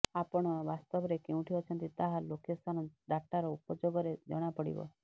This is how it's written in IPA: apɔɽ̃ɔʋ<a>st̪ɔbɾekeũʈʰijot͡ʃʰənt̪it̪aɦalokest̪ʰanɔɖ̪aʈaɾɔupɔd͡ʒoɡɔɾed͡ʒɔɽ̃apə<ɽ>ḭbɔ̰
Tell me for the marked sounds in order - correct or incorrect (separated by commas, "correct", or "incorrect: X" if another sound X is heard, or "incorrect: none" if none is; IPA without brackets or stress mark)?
correct, correct